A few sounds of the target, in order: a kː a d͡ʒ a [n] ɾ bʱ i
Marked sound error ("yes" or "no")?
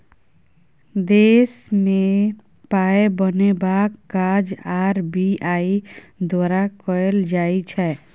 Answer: yes